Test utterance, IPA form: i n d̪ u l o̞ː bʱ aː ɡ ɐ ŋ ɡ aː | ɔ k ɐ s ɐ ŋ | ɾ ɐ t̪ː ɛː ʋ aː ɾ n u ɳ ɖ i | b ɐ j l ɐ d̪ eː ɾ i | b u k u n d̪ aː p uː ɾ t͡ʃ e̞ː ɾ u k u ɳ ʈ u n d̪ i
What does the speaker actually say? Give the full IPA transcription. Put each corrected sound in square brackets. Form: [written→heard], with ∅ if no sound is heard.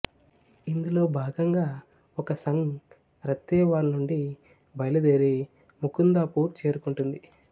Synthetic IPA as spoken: i n d̪ u l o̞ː bʱ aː ɡ ɐ ŋ ɡ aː | ɔ k ɐ s ɐ ŋ | ɾ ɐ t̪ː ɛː ʋ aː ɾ n u ɳ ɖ i | b ɐ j l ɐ d̪ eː ɾ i | [b→m] u k u n d̪ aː p uː ɾ t͡ʃ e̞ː ɾ u k u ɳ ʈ u n d̪ i